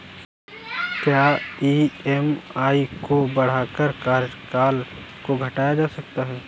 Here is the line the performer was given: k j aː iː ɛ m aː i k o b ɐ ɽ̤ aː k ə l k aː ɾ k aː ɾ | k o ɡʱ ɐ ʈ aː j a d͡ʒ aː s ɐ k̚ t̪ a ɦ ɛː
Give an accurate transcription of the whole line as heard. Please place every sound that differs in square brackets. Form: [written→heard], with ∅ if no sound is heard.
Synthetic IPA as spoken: k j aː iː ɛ m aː i k o b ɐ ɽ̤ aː k ə [l→ɾ] k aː ɾ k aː [ɾ→l] | k o ɡʱ ɐ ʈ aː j a d͡ʒ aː s ɐ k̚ t̪ a ɦ ɛː